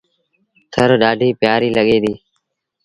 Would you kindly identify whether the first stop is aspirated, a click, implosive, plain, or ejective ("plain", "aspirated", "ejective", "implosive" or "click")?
aspirated